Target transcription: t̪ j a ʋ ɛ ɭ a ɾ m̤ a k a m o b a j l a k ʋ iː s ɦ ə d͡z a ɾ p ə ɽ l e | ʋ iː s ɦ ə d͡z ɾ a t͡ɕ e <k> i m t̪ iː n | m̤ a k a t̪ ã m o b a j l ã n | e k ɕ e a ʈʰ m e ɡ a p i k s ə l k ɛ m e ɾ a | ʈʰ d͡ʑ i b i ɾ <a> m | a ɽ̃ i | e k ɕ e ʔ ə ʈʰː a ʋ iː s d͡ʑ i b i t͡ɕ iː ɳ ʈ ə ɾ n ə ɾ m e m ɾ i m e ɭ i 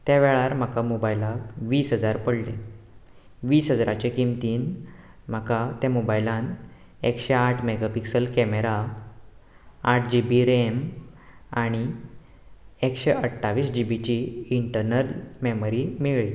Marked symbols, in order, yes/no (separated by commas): yes, no